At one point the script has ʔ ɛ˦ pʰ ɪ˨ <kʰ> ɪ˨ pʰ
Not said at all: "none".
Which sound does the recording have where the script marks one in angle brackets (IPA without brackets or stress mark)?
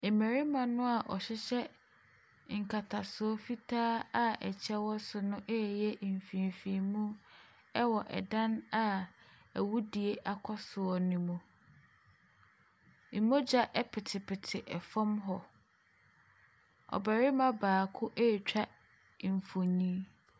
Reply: tʰ